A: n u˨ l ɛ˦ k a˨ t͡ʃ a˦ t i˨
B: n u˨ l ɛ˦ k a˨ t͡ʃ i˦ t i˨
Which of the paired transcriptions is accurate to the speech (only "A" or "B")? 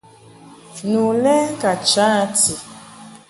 A